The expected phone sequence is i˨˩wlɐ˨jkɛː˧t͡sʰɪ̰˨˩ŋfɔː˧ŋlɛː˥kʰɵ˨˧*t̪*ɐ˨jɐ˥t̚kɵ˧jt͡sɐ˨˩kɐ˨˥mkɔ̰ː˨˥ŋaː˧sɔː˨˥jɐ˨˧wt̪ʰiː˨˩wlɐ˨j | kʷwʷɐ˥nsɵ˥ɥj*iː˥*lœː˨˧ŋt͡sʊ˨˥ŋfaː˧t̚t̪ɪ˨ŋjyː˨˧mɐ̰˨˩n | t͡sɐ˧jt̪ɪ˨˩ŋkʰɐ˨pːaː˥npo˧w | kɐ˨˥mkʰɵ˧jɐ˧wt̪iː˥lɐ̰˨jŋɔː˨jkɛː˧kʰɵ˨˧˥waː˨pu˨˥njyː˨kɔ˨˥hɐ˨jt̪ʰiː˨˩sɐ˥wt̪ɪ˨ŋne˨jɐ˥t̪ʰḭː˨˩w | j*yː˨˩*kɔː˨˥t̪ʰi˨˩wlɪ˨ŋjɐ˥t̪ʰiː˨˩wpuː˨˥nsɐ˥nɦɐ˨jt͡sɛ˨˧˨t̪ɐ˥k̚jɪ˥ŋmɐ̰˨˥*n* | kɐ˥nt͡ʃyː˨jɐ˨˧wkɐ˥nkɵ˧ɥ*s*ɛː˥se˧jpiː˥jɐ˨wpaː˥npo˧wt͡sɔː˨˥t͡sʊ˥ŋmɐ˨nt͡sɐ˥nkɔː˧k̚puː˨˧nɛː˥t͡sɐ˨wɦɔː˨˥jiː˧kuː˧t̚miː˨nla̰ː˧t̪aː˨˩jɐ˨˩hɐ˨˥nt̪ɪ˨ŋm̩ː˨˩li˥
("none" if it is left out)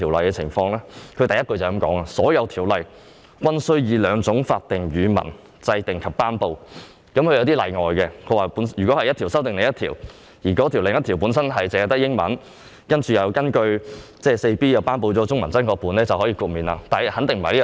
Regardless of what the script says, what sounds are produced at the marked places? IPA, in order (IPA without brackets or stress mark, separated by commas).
t̪, iː˨˧, iː˨˩, n, t͡s